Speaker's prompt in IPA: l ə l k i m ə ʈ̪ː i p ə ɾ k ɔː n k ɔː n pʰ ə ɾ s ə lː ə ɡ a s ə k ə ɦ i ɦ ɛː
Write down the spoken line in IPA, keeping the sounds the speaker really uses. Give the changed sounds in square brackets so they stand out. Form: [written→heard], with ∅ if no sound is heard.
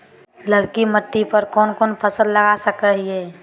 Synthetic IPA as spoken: l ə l k i m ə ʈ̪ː i p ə ɾ k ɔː n k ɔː n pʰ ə [ɾ→∅] s ə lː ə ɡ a s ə k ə ɦ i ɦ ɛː